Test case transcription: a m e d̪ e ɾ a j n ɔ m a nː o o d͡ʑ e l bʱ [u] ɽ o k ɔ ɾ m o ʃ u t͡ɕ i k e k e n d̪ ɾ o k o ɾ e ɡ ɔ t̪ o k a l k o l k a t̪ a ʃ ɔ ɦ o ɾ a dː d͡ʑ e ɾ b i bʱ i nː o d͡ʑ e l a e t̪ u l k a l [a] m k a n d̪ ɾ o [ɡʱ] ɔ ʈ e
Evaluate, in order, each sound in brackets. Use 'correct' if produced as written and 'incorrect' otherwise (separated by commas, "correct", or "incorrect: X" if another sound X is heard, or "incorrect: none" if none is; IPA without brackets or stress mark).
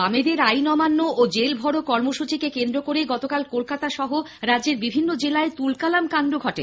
incorrect: ɔ, correct, correct